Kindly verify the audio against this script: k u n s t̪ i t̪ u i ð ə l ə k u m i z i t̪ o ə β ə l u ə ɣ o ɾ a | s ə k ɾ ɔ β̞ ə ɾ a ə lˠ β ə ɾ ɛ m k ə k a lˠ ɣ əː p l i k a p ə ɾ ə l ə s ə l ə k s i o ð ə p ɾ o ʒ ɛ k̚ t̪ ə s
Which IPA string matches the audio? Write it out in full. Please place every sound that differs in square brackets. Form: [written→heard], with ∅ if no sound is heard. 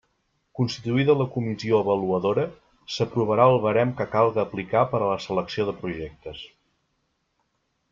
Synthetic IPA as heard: k u n s t̪ i t̪ u i ð ə l ə k u m i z i [t̪→∅] o ə β ə l u ə [ɣ→ð] o ɾ [a→ə] | s ə [k→p] ɾ [ɔ→u] β̞ ə ɾ a ə lˠ β ə ɾ ɛ m k ə k a lˠ ɣ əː p l i k a p ə ɾ ə l ə s ə l ə k s i o ð ə p ɾ [o→u] ʒ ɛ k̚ t̪ ə s